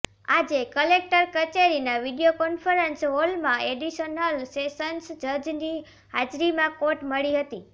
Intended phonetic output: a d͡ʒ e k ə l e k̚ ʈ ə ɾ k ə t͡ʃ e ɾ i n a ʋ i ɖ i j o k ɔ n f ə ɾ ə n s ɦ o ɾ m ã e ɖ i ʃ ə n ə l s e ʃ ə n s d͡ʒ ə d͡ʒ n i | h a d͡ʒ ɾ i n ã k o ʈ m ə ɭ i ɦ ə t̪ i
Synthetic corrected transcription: a d͡ʒ e k ə l e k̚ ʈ ə ɾ k ə t͡ʃ e ɾ i n a ʋ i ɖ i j o k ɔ n f ə ɾ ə n s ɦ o l m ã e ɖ i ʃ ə n ə l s e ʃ ə n s d͡ʒ ə d͡ʒ n i | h a d͡ʒ ɾ i m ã k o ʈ m ə ɭ i ɦ ə t̪ i